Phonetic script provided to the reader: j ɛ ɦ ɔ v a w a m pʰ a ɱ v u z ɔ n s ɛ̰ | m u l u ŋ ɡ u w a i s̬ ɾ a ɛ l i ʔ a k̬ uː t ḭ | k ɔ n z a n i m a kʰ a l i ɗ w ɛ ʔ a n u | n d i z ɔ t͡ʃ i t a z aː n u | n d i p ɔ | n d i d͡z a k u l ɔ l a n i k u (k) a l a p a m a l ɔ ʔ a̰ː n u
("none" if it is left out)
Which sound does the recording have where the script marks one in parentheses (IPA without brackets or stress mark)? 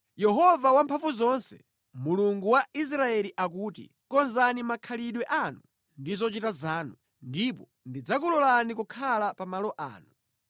kʰ